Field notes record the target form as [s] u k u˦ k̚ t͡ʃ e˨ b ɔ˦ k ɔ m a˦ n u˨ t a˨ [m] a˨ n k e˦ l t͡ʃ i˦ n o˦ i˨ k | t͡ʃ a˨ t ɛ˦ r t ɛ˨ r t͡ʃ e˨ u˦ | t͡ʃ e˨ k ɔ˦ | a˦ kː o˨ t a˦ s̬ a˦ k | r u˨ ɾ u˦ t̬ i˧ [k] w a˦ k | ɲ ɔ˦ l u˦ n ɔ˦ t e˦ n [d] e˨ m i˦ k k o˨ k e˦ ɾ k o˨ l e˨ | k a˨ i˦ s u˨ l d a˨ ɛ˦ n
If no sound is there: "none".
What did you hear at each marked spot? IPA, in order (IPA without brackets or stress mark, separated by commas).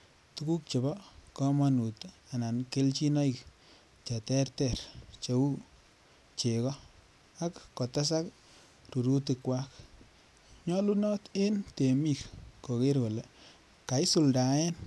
t, n, k, t